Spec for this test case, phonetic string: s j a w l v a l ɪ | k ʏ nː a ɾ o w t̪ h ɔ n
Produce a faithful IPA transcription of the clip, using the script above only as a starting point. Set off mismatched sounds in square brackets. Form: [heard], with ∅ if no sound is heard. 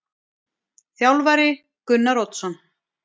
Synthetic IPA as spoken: [θ] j a w l v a [ɾ] ɪ | k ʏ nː a ɾ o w t̪ [s] ɔ n